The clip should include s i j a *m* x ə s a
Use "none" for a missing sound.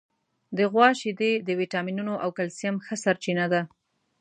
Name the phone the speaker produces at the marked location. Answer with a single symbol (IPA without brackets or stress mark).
m